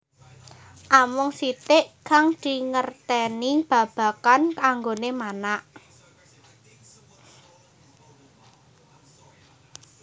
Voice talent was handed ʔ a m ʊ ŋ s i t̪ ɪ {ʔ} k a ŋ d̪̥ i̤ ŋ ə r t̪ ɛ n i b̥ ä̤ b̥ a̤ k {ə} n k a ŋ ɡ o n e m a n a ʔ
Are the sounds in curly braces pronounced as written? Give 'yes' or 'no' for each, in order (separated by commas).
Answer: yes, no